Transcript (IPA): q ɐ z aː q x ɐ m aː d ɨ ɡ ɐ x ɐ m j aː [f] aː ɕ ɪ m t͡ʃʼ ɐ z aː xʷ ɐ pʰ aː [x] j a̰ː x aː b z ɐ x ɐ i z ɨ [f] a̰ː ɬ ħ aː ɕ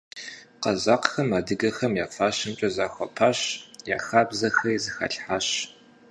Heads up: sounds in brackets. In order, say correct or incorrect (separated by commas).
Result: correct, incorrect, incorrect